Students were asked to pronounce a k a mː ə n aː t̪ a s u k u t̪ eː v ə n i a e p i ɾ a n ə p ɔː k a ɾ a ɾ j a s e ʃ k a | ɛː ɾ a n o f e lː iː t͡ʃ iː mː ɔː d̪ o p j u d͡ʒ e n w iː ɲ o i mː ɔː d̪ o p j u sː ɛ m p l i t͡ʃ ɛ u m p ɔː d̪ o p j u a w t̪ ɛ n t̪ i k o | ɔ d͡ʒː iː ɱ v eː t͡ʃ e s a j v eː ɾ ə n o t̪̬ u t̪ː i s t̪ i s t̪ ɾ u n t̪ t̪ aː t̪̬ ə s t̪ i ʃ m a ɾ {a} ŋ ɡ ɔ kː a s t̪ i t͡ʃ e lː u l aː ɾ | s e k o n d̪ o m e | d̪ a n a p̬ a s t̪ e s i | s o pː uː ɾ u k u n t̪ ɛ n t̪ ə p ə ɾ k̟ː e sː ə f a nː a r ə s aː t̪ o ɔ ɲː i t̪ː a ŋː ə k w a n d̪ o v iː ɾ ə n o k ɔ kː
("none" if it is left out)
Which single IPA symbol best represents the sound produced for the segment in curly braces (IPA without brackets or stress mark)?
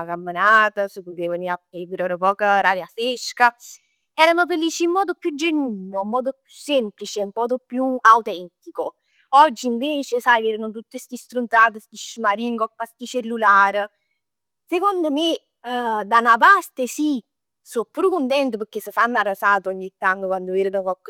i